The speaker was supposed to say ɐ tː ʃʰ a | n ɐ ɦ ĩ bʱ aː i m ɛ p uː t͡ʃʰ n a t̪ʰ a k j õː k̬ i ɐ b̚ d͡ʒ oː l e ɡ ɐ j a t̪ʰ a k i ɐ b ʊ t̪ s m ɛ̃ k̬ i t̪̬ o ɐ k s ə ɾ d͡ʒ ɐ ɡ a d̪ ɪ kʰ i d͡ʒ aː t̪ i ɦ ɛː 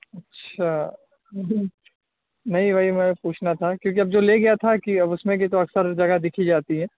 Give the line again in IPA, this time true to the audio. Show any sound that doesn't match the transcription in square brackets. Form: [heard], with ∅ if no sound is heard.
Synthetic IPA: ɐ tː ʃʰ a | n ɐ ɦ ĩ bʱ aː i m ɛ p uː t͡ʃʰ n a t̪ʰ a k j õː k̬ i ɐ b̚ d͡ʒ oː l e ɡ ɐ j a t̪ʰ a k i ɐ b ʊ [∅] s m [ẽ] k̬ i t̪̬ o ɐ k s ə ɾ d͡ʒ ɐ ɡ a d̪ ɪ kʰ i d͡ʒ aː t̪ i ɦ ɛː